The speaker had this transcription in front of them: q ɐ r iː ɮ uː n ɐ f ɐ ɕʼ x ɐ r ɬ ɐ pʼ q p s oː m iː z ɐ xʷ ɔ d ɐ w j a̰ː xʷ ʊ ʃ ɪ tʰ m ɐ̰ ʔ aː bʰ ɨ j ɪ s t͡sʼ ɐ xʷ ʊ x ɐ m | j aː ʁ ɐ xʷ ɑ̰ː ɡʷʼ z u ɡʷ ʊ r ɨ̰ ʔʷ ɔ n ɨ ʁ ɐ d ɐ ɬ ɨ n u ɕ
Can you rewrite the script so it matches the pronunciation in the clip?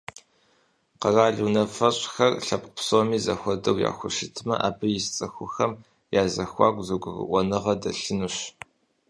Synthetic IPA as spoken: q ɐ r aː ɮ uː n ɐ f ɐ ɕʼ x ɐ r ɬ ɐ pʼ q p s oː m iː z ɐ xʷ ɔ d ɐ w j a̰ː xʷ ʊ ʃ ɪ tʰ m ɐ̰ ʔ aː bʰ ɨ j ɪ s t͡sʼ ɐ xʷ ʊ x ɐ m | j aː z ɐ xʷ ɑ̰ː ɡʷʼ z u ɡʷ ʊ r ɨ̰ ʔʷ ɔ n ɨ ʁ ɐ d ɐ ɬ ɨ n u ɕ

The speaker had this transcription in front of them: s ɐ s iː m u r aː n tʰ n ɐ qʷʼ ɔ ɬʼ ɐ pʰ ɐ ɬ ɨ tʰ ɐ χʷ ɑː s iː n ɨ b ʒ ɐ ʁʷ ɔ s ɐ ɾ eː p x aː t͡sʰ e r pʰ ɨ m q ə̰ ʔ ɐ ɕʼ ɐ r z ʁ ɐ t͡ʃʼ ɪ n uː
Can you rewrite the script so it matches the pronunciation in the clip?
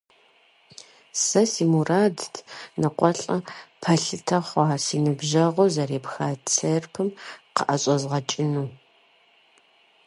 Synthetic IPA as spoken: s ɐ s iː m u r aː d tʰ n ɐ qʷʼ ɔ ɬʼ ɐ pʰ ɐ ɬ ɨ tʰ ɐ χʷ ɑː s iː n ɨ b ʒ ɐ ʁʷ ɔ z ɐ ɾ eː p x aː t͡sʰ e r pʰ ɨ m q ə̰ ʔ ɐ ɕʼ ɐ z ʁ ɐ t͡ʃʼ ɪ n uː

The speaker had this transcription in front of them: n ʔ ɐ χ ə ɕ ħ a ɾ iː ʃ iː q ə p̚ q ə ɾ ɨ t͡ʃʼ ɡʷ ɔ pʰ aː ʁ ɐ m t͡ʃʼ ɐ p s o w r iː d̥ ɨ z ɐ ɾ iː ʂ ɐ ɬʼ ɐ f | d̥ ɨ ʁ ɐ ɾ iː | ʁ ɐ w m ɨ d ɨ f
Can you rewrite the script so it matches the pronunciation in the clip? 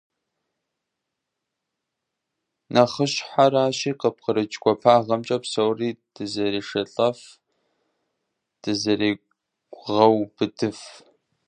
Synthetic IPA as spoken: n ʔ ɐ χ ə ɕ ħ a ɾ aː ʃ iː q ə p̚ q ə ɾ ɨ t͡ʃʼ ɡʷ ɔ pʰ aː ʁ ɐ m t͡ʃʼ ɐ p s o w r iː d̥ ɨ z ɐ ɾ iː ʂ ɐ ɬʼ ɐ f | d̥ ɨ z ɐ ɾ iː | ʁ ɐ w b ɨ d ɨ f

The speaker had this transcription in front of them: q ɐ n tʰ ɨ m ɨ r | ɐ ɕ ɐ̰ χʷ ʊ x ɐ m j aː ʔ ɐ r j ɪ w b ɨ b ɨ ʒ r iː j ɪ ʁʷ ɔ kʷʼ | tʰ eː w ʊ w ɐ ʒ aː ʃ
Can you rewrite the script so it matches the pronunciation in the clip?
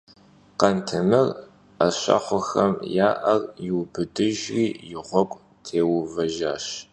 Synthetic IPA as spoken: q ɐ n tʰ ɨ m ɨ r | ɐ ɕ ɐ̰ χʷ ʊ x ɐ m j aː ʔ ɐ r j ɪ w b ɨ d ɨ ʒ r iː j ɪ ʁʷ ɔ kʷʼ | tʰ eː w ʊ v ɐ ʒ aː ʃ

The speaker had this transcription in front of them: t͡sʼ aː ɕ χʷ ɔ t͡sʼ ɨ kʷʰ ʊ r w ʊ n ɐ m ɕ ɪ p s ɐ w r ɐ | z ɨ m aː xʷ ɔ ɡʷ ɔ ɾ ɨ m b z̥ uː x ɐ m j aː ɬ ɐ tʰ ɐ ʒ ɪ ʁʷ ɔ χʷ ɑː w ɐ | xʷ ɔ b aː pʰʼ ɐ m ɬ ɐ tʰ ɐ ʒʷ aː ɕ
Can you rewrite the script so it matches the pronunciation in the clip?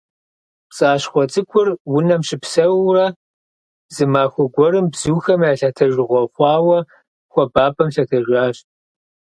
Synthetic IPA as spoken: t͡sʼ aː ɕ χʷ ɔ t͡sʼ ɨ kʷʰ ʊ r w ʊ n ɐ m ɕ ɪ p s ɐ w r ɐ | z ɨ m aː xʷ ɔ ɡʷ ɔ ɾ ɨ m b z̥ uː x ɐ m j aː ɬ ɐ tʰ ɐ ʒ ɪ ʁʷ ɔ χʷ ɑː w ɐ | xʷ ɔ b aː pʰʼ ɐ m ɬ ɐ tʰ ɐ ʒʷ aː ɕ

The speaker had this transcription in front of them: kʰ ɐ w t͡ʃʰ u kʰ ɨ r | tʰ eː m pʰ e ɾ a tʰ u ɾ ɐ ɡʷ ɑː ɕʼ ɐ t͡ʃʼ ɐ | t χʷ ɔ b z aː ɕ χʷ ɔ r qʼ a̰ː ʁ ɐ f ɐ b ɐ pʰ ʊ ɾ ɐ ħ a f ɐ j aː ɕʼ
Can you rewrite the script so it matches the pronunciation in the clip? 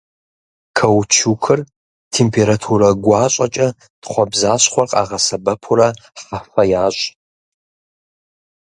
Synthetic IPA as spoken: kʰ ɐ w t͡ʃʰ u kʰ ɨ r | tʰ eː m pʰ e ɾ a tʰ u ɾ ɐ ɡʷ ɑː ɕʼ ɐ t͡ʃʼ ɐ | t χʷ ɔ b z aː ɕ χʷ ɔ r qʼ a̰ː ʁ ɐ s ɐ b ɐ pʰ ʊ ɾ ɐ ħ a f ɐ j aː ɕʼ

